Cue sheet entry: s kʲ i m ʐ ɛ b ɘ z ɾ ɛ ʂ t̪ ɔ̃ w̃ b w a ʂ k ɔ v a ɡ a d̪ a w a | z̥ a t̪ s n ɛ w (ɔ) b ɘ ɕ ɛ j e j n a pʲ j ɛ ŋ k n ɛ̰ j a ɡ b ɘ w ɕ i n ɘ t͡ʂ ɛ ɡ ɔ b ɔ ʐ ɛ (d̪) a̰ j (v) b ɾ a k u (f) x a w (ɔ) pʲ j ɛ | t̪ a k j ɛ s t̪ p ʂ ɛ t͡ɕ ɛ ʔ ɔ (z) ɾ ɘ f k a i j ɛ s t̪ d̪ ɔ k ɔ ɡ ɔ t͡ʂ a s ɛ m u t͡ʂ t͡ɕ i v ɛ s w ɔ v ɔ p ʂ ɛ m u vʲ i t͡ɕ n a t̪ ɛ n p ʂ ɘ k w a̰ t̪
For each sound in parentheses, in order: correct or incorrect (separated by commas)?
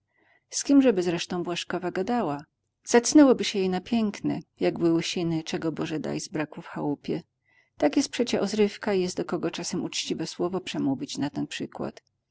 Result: correct, correct, incorrect, correct, incorrect, correct